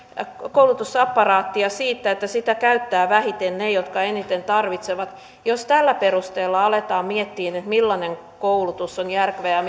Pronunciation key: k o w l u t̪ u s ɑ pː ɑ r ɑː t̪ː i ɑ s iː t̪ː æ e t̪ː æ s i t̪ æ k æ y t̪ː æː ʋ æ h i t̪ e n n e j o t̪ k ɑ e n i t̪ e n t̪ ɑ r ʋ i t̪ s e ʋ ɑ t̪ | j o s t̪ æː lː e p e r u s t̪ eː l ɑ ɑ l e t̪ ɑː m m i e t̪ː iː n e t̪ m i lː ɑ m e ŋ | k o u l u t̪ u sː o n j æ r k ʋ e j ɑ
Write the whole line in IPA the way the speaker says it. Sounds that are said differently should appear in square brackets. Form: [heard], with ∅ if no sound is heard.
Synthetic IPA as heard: k o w l u t̪ u s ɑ pː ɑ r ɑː t̪ː i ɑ s iː t̪ː æ e t̪ː æ s i t̪ æ k æ y t̪ː æː ʋ æ h i t̪ e n n e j o t̪ k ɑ e n i t̪ e n t̪ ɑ r ʋ i t̪ s e ʋ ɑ t̪ | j o s t̪ [æ] lː [æ] p e r u s t̪ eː [lː] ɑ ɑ l e t̪ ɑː m m i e t̪ː iː n e t̪ m i lː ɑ [n] e ŋ | k o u l u t̪ u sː o n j æ r k ʋ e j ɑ